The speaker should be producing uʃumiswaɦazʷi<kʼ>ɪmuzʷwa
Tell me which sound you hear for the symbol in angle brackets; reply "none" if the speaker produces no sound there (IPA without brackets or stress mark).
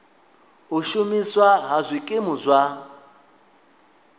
kʼ